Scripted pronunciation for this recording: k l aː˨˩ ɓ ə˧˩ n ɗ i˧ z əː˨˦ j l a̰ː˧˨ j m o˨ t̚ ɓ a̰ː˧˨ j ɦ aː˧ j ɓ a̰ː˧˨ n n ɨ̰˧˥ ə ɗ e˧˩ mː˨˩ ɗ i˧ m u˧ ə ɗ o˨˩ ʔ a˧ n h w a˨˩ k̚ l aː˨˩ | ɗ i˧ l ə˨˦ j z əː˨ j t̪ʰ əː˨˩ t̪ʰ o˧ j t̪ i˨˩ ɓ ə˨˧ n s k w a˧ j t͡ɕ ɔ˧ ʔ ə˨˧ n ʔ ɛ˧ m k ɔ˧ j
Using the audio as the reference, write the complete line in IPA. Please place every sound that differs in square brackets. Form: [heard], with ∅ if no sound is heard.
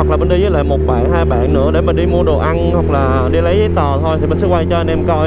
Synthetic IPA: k l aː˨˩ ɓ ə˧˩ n ɗ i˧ z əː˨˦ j l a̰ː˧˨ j m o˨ t̚ ɓ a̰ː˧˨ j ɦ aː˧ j ɓ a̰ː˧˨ n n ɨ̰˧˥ ə ɗ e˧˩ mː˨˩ ɗ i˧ m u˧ ə ɗ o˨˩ ʔ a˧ n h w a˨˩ k̚ l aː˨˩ | ɗ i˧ l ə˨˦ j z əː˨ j [t̪] əː˨˩ t̪ʰ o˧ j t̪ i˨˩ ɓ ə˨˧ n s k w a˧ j t͡ɕ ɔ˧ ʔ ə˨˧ n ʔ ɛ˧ m k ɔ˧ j